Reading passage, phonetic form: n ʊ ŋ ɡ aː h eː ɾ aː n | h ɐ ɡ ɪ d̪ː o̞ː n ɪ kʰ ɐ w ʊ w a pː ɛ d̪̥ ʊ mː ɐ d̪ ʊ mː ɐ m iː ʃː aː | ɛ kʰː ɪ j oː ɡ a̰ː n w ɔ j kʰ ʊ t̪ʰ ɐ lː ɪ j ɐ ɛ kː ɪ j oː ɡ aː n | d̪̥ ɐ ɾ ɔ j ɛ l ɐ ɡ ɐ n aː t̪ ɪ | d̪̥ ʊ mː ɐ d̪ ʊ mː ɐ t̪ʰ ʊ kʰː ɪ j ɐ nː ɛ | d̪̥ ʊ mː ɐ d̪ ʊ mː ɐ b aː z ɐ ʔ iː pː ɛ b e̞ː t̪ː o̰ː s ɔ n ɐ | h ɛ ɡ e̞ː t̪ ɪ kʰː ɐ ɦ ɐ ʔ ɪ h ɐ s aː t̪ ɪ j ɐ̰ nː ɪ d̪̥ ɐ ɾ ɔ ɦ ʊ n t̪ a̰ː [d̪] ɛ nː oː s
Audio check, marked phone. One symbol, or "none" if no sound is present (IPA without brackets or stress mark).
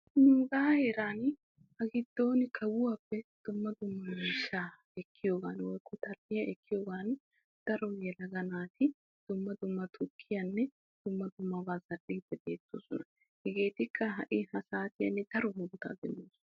d̪